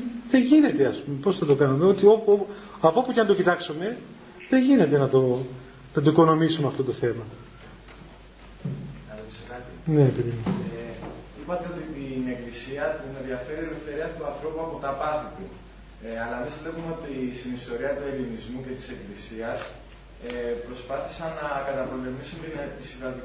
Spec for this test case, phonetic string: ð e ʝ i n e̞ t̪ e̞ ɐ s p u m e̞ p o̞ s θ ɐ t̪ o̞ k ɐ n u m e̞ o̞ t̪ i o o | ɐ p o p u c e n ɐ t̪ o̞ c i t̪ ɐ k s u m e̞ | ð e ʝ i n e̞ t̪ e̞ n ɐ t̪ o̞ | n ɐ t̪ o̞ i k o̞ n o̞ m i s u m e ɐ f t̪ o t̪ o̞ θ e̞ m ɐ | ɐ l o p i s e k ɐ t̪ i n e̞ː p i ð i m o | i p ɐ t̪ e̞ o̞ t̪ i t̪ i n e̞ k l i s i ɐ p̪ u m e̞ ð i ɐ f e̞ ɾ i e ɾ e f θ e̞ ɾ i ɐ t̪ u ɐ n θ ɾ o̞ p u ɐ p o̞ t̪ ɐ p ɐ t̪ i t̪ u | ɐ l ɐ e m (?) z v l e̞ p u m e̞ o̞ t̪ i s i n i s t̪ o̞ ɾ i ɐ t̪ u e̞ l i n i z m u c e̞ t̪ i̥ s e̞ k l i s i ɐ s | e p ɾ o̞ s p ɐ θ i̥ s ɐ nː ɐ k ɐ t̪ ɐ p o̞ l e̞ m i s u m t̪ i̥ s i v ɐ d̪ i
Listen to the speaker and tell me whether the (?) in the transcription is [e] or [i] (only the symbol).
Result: i